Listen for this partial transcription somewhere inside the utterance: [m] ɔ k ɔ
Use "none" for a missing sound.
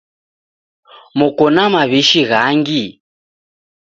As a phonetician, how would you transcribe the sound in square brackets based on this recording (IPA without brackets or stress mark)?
m